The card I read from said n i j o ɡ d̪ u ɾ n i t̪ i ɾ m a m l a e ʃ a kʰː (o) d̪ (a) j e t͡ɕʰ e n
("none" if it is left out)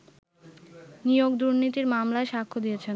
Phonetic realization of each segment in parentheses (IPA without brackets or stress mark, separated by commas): o, i